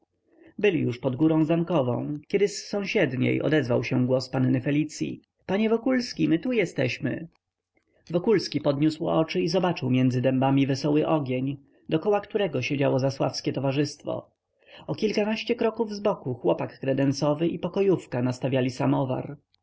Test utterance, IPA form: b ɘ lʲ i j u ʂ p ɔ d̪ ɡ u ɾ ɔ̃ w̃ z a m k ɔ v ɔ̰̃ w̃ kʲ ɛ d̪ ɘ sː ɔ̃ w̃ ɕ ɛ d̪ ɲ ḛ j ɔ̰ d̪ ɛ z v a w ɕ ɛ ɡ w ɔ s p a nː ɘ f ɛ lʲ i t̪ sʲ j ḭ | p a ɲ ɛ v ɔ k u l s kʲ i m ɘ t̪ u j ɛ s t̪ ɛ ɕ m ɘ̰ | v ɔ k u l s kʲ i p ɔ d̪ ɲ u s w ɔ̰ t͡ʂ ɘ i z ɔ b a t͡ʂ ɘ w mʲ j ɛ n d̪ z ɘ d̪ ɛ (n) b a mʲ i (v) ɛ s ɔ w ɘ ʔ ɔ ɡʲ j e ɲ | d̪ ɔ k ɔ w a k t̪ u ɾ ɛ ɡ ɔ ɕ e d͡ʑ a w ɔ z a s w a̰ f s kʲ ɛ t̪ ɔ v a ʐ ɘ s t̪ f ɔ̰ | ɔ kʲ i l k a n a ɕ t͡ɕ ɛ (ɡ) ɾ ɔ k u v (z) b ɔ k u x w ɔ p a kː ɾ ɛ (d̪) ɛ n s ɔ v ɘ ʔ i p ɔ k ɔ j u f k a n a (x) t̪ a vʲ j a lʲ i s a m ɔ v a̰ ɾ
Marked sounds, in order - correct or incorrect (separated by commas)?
incorrect, correct, incorrect, correct, correct, incorrect